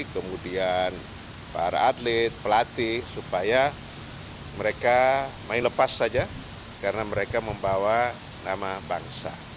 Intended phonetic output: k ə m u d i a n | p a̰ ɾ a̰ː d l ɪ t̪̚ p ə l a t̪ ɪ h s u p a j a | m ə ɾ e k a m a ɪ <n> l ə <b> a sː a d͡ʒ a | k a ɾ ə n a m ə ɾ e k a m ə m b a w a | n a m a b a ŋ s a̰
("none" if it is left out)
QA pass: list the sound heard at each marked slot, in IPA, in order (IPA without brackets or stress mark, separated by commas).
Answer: n, p